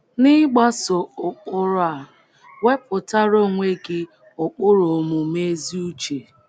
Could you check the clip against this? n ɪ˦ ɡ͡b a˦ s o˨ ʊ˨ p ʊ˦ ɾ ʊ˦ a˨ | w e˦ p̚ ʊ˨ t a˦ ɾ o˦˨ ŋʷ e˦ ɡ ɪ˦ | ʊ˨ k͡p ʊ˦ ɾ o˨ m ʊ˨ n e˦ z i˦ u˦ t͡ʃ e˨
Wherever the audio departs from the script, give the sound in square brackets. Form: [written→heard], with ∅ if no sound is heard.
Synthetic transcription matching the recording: n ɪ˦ ɡ͡b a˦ s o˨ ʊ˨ [p→k͡p] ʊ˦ ɾ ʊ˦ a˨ | w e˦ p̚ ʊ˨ t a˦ ɾ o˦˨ ŋʷ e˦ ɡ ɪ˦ | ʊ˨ k͡p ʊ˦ ɾ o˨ m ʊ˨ [n→m] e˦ z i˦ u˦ t͡ʃ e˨